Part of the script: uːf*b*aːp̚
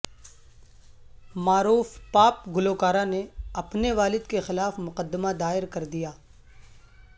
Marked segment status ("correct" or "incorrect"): incorrect